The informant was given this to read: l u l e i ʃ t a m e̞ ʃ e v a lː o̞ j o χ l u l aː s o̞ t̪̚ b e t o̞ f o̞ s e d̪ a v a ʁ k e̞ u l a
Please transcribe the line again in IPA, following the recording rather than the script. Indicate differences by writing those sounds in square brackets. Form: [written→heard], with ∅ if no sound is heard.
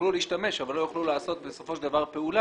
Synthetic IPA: l u l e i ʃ t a m e̞ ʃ [e→a] v a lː o̞ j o χ l u l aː s o̞ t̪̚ b e [t→s] o̞ f o̞ [s→ʃ] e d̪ a v a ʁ [k→p] e̞ u l a

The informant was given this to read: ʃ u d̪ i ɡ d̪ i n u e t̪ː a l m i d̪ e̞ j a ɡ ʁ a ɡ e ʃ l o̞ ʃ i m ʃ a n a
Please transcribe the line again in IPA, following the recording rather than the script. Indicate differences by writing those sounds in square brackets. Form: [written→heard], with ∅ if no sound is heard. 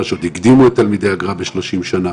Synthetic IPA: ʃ [u→o] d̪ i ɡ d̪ i [n→m] u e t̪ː a l m i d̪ e̞ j a ɡ ʁ a [ɡ→b] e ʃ l o̞ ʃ i m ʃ a n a

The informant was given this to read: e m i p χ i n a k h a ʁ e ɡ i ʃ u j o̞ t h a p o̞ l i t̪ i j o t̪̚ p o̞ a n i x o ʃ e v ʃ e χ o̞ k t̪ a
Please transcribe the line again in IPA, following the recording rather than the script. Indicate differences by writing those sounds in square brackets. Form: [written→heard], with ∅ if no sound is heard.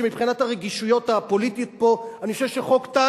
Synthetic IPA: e m i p χ i n a [k→t] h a ʁ e ɡ i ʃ u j o̞ t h a p o̞ l i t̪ i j o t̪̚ p o̞ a n i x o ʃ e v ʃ e χ o̞ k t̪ a

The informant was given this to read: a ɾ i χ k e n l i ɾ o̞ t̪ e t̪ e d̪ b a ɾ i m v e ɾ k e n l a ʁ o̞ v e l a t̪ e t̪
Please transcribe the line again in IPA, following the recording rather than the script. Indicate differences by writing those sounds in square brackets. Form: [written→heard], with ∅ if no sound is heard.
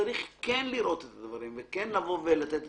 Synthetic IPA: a ɾ i χ k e n l i ɾ o̞ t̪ e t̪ [e→a] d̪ [b→v] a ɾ i m v e [ɾ→∅] k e n l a [ʁ→v] o̞ v e l a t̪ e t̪

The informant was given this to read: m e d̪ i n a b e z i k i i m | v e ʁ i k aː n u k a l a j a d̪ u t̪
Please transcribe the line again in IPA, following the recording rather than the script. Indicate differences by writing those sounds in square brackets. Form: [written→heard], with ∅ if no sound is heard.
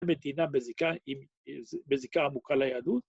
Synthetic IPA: m e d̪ i n a b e z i k [i→a] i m | [v→b] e [ʁ→z] i k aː [n→m] u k a l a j a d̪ u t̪

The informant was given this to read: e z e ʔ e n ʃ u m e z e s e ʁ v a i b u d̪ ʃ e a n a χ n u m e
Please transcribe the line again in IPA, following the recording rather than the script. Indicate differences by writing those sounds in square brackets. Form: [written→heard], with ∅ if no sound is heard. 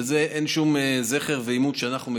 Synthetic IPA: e z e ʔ e n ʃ u m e z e [s→χ] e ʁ v [a→e] i [b→m] u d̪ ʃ e a n a χ n u m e

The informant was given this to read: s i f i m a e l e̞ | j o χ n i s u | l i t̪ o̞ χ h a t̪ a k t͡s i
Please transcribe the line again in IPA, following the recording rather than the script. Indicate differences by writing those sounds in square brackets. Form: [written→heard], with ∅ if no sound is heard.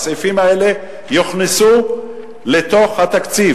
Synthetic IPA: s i f i m a e l e̞ | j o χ n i s u | l [i→e] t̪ o̞ χ h a t̪ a k t͡s i

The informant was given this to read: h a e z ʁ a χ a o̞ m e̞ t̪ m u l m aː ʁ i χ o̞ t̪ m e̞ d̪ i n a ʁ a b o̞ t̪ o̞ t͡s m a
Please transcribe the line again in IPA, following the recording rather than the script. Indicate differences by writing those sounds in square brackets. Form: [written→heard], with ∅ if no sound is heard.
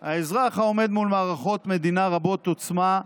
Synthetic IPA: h a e z ʁ a χ a o̞ m e̞ [t̪→d̪] m u l m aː ʁ [i→a] χ o̞ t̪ m e̞ d̪ i n a ʁ a b o̞ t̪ o̞ t͡s m a

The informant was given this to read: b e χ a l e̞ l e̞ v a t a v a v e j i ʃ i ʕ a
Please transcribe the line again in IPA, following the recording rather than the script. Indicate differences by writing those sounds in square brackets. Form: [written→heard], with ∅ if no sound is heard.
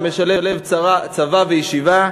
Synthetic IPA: [b→m] e [χ→ʃ] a l e̞ l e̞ v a [t→t͡s] a v a v e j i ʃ i [ʕ→v] a

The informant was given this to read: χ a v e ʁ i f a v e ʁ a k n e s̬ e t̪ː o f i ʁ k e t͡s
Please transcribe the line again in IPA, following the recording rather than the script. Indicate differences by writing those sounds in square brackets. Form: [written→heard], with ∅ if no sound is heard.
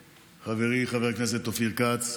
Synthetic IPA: χ a v e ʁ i [f→χ] a v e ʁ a k n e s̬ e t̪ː o f i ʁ k [e→a] t͡s

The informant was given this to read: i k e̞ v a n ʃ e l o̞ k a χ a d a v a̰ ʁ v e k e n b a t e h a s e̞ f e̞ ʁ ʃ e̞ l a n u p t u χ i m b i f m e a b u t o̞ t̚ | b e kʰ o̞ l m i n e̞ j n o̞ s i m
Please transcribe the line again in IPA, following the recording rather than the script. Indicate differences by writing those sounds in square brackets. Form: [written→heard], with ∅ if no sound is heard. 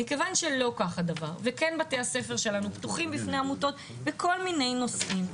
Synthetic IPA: i k e̞ v a n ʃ e l o̞ k a χ a d a v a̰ ʁ v e k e n b a t e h a s e̞ f e̞ ʁ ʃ e̞ l a n u p t u χ i m b i f [m→n] e a [b→m] u t o̞ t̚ | b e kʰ o̞ l m i n e̞ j n o̞ s i m

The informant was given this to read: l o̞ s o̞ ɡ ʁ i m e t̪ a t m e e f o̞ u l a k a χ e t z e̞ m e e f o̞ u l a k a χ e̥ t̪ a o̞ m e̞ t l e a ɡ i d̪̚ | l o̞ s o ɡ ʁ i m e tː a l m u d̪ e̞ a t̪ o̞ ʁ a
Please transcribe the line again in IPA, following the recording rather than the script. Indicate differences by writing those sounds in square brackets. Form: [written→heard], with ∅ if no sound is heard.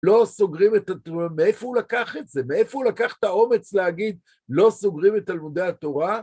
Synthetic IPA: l o̞ s o̞ ɡ ʁ i m e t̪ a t m e e f o̞ u l a k a χ e t z e̞ m e e f o̞ u l a k a χ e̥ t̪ a o̞ m e̞ [t→t͡s] l e a ɡ i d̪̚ | l o̞ s o ɡ ʁ i m e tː a l m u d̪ e̞ a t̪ o̞ ʁ a

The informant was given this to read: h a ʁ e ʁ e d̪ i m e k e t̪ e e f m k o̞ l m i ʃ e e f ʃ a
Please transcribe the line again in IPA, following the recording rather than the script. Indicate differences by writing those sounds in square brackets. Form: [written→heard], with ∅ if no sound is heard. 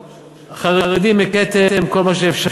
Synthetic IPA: [h→χ] a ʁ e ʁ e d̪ i m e k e t̪ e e [f→∅] m k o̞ l m [i→a] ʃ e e f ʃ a

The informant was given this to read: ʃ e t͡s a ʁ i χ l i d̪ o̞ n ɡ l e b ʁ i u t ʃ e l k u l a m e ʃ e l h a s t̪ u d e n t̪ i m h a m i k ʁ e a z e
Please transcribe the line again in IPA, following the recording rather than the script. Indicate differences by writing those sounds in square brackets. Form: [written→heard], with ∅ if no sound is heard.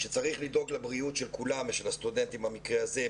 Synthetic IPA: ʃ e t͡s a ʁ i χ l i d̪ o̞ [n→∅] ɡ l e b ʁ i u t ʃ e l k u l a m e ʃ e l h a s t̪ u d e n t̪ i m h a m i k ʁ e a z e

